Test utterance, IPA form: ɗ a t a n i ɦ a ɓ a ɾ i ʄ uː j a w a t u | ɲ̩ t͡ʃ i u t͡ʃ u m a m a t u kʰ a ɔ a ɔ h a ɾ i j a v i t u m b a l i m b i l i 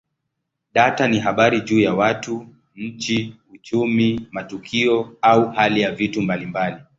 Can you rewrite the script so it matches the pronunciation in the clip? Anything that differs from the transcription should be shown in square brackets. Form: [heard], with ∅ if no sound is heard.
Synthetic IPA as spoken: ɗ a t a n i ɦ a ɓ a ɾ i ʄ uː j a w a t u | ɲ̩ t͡ʃ i u t͡ʃ u m [i] m a t u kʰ [i] ɔ a [u] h a [l] i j a v i t u m b a l i m b [a] l i